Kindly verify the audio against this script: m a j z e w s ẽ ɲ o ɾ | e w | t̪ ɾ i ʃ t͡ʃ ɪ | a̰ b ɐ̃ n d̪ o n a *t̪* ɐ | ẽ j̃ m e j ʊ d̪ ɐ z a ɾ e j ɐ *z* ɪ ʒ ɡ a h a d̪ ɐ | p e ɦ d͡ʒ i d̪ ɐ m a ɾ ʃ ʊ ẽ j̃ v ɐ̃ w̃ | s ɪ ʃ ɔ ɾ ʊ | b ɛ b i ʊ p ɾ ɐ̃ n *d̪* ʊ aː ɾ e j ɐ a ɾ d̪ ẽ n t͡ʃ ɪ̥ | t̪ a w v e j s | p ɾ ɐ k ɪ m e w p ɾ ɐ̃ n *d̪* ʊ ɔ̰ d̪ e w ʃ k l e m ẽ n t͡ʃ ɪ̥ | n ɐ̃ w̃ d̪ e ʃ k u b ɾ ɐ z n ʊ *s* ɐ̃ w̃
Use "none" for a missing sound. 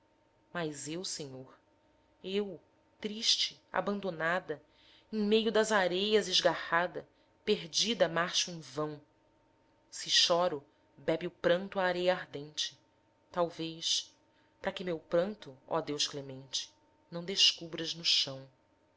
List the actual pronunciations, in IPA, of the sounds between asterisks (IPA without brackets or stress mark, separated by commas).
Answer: d̪, z, t̪, t̪, ʃ